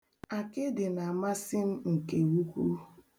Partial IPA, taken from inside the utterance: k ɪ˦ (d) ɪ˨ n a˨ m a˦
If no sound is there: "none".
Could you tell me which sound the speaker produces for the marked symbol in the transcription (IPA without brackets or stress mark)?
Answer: d